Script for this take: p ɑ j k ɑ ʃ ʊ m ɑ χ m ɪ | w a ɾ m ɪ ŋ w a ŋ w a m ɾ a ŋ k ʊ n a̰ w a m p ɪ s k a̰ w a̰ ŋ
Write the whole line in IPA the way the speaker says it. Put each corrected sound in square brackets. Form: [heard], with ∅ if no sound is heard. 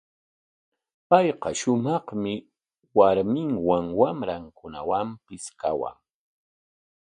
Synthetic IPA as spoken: p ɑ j [q] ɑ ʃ ʊ m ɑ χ m ɪ | w a ɾ m ɪ ŋ w a ŋ w a m ɾ a ŋ k ʊ n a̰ w a m p ɪ s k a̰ w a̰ ŋ